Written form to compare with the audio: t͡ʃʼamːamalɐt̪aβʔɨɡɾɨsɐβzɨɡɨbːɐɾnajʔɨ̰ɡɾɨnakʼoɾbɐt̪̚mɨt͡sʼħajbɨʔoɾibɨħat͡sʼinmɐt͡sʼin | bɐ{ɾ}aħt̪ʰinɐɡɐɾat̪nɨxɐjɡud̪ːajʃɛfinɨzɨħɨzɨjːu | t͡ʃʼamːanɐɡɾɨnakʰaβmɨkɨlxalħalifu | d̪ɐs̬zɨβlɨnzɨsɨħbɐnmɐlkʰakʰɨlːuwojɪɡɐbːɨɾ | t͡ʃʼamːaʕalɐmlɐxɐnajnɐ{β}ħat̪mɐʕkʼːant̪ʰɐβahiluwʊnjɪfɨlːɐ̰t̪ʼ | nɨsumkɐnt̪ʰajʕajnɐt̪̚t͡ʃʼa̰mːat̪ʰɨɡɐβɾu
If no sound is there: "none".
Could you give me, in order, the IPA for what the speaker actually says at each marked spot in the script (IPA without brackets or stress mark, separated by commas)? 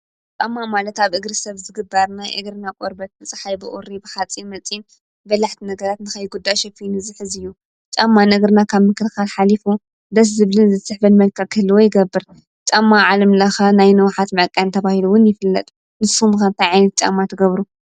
l, w